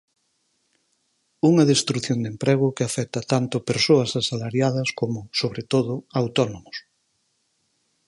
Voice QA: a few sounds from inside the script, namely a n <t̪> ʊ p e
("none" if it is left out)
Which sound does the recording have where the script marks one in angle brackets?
t̪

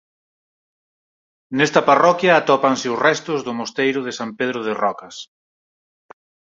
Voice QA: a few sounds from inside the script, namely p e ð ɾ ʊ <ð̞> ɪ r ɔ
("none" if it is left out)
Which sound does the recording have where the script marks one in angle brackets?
ð̞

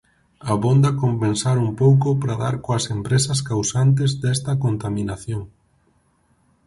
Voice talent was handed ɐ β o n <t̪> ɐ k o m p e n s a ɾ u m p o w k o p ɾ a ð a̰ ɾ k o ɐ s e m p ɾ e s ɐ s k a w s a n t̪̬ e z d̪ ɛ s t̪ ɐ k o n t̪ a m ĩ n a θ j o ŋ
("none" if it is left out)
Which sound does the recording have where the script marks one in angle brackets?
d̪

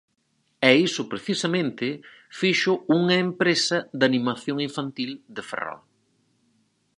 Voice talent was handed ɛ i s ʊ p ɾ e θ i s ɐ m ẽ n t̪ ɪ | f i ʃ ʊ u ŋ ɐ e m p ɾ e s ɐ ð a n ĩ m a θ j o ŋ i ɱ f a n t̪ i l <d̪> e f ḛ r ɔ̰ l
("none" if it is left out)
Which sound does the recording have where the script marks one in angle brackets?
d̪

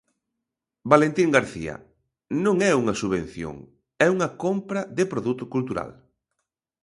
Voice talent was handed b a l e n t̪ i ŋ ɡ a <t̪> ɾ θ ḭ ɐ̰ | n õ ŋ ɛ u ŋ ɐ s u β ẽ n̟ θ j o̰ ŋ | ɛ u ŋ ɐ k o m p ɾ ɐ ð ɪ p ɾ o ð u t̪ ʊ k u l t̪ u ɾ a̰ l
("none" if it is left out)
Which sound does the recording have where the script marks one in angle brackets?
none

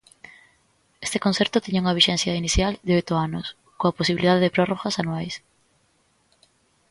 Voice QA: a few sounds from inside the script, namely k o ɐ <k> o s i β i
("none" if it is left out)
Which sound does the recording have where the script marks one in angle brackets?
p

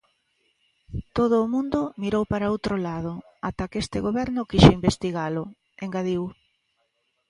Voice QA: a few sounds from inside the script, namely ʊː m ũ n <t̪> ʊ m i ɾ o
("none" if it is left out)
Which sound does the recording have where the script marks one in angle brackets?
d̪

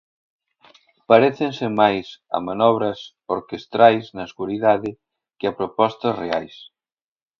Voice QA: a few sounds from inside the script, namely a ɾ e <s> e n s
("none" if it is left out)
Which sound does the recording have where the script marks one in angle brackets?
θ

